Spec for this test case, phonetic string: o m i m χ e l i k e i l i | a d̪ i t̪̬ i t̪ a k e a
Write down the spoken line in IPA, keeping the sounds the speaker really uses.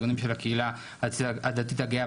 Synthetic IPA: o n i m ʃ e l a k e i l a | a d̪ a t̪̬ i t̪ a ɡ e a